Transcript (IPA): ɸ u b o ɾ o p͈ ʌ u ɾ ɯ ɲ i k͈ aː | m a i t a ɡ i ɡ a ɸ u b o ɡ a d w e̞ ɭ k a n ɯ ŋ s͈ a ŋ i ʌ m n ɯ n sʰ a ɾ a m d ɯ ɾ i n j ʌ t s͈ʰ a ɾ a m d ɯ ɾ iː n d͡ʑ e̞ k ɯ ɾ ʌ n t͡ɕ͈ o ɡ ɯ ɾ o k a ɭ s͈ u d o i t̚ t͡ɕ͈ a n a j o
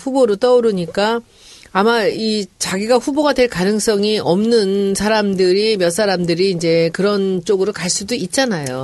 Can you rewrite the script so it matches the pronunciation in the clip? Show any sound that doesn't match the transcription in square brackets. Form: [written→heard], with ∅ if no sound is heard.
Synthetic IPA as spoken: ɸ u b o ɾ o [p͈→t͈] ʌ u ɾ ɯ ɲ i k͈ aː | m a i [t→t͡ɕ] a ɡ i ɡ a ɸ u b o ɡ a d w e̞ ɭ k a n ɯ ŋ s͈ [a→ʌ] ŋ i ʌ m n ɯ n sʰ a ɾ a m d ɯ ɾ i [n→m] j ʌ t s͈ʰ a ɾ a m d ɯ ɾ iː n d͡ʑ e̞ k ɯ ɾ ʌ n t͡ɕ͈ o ɡ ɯ ɾ o k a ɭ s͈ u d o i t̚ t͡ɕ͈ a n a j o